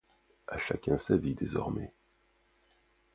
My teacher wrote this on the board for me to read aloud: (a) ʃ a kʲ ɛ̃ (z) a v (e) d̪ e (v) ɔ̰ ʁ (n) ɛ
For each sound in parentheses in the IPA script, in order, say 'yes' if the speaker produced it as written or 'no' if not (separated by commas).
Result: yes, no, no, no, no